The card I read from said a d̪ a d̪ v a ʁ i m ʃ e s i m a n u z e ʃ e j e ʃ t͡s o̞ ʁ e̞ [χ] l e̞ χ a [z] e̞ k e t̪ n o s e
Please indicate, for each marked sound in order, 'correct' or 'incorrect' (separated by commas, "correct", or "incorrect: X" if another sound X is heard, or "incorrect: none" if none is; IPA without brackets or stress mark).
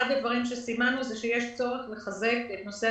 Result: correct, correct